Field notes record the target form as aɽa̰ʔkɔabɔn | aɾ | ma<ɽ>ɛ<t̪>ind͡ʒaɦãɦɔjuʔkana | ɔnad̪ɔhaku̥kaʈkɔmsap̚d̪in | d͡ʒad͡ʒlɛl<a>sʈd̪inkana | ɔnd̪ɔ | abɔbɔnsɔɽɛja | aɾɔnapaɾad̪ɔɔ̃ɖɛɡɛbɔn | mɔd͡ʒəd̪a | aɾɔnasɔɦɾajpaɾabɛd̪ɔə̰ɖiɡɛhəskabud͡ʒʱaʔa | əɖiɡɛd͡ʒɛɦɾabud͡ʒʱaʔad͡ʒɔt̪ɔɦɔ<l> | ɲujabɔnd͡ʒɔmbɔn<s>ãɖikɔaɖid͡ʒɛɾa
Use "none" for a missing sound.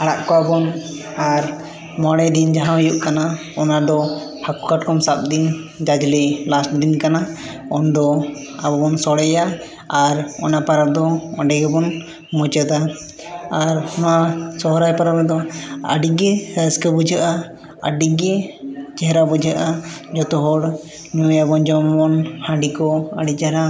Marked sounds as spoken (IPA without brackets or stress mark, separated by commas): ɽ, d̪, a, ɽ, h